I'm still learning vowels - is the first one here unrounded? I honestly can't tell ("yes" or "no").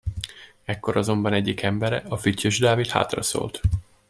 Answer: yes